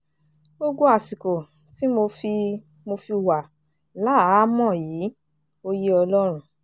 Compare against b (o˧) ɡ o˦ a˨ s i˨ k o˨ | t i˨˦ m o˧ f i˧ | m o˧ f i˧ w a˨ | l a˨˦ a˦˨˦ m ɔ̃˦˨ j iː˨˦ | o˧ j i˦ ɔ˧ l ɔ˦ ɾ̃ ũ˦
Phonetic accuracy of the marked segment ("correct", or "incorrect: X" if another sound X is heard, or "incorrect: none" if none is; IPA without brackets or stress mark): correct